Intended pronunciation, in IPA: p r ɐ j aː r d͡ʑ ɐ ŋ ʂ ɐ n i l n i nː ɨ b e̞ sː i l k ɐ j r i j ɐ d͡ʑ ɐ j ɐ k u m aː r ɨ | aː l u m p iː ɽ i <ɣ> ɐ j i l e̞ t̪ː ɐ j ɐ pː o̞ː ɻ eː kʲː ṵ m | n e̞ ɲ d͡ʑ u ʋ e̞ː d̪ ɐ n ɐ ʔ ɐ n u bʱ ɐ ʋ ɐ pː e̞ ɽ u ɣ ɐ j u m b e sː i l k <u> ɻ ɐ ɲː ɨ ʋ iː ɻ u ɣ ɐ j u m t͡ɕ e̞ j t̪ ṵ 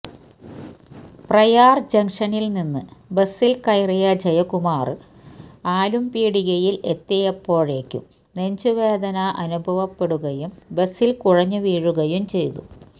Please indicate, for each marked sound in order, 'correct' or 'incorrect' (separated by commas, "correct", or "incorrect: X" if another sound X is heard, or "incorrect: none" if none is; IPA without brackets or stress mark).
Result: correct, correct